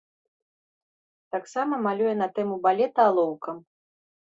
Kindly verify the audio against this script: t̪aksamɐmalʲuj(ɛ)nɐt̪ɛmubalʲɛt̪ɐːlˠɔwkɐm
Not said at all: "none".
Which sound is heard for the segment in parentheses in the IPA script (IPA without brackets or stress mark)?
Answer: ɛ